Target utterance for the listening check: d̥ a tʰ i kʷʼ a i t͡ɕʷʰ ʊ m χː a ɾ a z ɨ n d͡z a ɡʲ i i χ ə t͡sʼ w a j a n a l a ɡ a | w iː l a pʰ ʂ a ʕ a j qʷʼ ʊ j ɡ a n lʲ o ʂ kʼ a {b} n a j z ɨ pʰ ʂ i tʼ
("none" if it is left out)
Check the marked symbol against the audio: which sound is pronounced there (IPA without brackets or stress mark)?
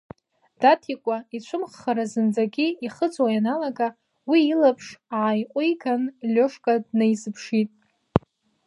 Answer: d